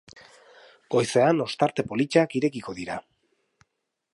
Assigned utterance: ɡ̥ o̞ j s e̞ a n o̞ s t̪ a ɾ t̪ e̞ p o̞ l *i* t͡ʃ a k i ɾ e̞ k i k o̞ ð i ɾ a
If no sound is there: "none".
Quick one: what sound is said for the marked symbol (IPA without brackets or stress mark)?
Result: i